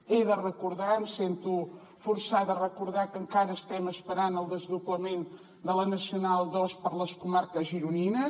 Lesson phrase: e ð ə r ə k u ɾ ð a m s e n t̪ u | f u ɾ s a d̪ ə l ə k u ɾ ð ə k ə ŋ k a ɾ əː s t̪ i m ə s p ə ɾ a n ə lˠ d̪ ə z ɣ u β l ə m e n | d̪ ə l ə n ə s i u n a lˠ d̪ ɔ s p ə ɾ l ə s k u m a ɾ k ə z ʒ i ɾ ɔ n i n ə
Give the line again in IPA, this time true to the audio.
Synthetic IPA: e ð ə r ə k u ɾ ð a m s e n t̪ u | f u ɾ s a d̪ ə r ə k u ɾ ð a k ə ŋ k a ɾ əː s t̪ ɛ m ə s p ə ɾ a n ə lˠ d̪ ə z ð u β l ə m e n | d̪ ə l ə n ə s i u n a lˠ d̪ ɔ s p ə ɾ l ə s k u m a ɾ k ə z ʒ i ɾ u n i n ə